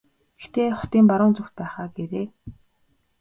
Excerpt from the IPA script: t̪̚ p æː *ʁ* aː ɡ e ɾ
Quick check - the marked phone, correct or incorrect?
incorrect